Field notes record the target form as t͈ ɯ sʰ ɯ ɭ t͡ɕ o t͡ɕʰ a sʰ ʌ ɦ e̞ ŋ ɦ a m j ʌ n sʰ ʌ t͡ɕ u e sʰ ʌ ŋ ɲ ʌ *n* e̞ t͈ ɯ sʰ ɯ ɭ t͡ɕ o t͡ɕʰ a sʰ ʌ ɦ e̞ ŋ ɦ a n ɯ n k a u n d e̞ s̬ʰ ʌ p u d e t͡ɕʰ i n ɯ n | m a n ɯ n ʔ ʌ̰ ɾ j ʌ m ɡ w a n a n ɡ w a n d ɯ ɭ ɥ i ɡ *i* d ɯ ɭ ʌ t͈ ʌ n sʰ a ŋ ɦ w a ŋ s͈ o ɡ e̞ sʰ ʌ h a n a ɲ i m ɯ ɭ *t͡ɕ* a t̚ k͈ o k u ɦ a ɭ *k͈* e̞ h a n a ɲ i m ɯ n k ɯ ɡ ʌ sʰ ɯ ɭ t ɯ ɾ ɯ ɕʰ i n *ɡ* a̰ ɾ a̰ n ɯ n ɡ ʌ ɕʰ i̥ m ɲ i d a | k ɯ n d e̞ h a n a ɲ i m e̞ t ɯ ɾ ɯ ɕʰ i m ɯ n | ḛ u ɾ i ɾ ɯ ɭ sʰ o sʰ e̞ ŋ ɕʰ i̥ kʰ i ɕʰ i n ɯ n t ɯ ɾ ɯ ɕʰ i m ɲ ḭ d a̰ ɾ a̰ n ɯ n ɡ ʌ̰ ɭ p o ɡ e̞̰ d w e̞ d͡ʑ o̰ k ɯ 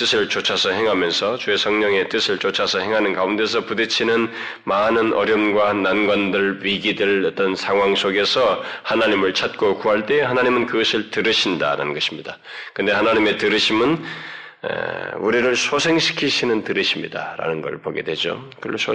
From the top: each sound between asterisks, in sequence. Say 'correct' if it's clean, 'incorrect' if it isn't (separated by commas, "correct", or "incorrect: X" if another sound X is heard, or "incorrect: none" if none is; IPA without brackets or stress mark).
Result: incorrect: ŋ, correct, incorrect: t͡ɕʰ, incorrect: t͈, incorrect: d